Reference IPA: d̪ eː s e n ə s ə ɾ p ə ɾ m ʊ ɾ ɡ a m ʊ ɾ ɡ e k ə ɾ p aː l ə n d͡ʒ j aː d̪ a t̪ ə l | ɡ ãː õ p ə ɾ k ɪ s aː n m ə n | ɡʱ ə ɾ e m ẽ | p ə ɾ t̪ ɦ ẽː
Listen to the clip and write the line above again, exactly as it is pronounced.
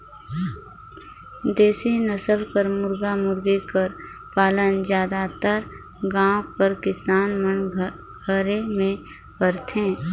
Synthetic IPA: d̪ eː s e n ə s ə l p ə ɾ m ʊ ɾ ɡ a m ʊ ɾ ɡ e k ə ɾ p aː l ə n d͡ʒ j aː d̪ a t̪ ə ɾ | ɡ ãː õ p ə ɾ k ɪ s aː n m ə n | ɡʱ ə ɾ e m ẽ | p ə ɾ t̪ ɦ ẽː